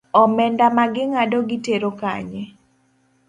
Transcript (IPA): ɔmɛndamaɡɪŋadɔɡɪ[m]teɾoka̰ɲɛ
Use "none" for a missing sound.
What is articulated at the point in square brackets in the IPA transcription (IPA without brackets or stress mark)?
none